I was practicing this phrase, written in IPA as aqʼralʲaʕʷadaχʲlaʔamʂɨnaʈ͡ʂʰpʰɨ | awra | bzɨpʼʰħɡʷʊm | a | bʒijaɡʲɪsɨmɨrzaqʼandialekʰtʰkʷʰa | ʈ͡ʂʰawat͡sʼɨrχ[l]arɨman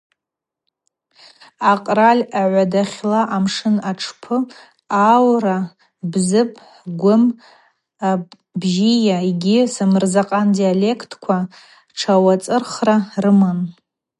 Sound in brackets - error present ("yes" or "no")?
yes